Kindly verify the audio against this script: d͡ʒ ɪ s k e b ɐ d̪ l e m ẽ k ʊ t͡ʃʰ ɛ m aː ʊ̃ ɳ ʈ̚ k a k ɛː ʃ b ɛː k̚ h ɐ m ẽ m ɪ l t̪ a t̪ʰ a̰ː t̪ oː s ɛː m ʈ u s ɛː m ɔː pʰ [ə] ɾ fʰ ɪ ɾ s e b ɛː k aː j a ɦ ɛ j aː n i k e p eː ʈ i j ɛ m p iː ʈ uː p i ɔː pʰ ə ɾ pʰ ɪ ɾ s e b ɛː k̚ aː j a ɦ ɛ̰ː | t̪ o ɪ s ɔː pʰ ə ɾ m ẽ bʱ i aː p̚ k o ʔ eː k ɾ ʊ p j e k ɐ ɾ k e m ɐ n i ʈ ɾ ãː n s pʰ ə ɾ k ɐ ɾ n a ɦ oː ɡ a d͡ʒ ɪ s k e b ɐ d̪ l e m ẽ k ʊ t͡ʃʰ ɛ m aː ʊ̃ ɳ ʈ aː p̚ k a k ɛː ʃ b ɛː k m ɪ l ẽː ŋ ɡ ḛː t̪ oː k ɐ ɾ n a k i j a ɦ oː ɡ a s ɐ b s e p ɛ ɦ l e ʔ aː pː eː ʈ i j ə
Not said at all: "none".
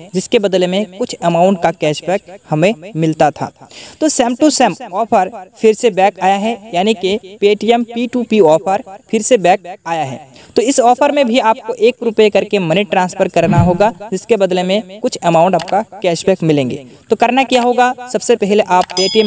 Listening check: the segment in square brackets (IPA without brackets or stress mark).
ə